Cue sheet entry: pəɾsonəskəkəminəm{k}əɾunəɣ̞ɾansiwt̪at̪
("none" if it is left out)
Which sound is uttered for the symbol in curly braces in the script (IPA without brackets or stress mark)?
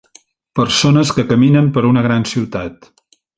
p